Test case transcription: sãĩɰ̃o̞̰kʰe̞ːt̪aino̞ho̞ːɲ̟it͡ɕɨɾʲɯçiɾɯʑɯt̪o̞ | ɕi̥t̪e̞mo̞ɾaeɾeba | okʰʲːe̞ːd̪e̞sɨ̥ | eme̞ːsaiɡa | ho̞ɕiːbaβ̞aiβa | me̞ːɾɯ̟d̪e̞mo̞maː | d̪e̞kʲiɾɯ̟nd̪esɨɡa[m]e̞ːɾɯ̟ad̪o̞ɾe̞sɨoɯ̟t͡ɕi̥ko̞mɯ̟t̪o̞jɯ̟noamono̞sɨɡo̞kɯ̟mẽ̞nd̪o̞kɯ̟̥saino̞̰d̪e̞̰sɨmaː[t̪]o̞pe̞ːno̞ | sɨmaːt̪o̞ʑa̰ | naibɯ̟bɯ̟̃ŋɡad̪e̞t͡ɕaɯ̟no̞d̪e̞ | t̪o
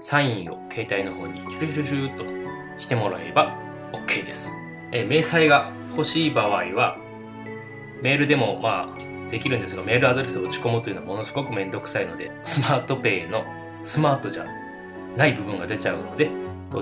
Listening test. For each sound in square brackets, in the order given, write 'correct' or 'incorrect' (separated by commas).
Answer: correct, correct